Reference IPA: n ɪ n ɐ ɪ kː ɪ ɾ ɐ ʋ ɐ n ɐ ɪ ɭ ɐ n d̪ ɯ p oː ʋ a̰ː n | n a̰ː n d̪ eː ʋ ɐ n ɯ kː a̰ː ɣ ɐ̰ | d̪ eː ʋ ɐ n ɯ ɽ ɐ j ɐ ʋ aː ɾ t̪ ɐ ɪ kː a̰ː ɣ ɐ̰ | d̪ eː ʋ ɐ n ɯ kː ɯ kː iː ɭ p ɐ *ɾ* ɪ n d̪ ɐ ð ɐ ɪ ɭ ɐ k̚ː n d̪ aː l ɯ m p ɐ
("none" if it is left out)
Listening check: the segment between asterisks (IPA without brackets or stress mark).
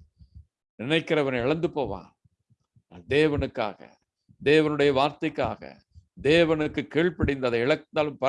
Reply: ɽ